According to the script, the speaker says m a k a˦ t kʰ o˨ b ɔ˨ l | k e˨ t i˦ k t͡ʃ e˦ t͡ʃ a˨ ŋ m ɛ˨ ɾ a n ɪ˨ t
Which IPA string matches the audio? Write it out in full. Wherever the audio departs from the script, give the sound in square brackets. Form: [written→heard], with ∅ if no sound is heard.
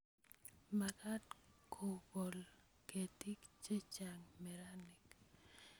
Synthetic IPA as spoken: m a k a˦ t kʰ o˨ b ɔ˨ l | k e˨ t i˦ k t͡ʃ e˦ t͡ʃ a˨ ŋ m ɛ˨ ɾ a n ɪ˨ [t→k]

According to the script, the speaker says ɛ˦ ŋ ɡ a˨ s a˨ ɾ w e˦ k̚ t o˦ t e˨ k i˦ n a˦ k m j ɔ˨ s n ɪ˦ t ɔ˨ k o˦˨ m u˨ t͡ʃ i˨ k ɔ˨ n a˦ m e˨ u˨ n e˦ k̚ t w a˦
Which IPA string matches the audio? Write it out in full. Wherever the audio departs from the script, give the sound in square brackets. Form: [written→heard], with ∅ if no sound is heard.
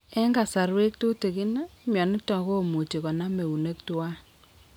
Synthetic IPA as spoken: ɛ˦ ŋ ɡ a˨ s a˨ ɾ w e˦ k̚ t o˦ t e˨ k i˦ n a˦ [k→∅] m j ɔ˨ [s→∅] n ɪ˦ t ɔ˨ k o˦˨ m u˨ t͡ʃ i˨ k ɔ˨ n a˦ m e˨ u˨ n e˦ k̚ t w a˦

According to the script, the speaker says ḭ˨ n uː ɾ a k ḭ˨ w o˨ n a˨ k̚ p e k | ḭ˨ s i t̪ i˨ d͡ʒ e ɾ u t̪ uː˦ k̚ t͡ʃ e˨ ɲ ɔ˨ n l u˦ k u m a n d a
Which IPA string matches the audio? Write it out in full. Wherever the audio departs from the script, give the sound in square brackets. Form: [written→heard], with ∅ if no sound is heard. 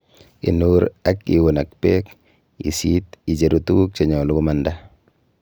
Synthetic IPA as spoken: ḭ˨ n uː ɾ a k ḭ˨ w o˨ n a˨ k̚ p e k | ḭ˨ s i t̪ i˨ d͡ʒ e ɾ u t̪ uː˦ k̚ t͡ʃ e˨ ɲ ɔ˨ [n→∅] l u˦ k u m a n d a

